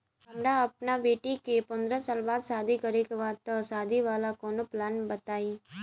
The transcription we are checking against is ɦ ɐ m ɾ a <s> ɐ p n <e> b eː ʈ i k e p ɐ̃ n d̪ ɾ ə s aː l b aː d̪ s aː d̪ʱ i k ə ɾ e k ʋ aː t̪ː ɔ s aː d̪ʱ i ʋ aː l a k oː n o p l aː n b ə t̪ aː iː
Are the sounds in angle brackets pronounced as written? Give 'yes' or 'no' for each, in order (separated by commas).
no, no